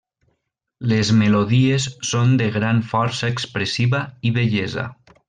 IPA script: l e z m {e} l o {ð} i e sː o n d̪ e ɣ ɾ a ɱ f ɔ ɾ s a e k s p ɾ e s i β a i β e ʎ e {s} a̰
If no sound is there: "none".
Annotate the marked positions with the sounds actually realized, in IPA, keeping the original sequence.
e, ð, z

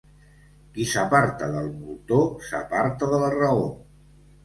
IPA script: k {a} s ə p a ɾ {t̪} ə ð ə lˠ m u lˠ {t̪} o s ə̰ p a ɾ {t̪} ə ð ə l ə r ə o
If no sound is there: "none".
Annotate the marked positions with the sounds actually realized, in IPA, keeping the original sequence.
i, t̪, t̪, t̪

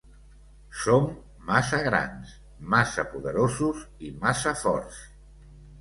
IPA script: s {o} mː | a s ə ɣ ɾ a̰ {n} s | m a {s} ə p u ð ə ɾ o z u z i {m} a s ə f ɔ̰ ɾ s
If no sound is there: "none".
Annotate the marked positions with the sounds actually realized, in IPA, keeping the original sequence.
o, n, s, m

